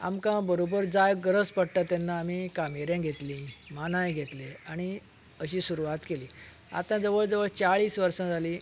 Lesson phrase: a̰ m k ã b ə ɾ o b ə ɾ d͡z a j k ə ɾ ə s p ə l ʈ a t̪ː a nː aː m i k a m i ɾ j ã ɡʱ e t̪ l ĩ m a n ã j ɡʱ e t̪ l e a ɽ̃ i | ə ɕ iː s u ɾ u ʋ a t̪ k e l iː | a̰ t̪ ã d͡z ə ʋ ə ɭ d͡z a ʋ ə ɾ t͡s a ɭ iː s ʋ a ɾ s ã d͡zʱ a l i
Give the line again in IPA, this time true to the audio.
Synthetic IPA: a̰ m k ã b ə ɾ o b ə ɾ d͡z a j ɡ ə ɾ ə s p ə ɽ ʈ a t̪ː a nː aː m i k a m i ɾ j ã ɡʱ e t̪ l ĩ m a n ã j ɡʱ e t̪ l e a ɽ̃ i | ə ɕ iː s u ɾ u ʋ a t̪ k e l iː | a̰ t̪ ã d͡z ə ʋ ə ɭ d͡z ə ʋ ə ɭ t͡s a ɭ iː s ʋ ə ɾ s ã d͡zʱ a l i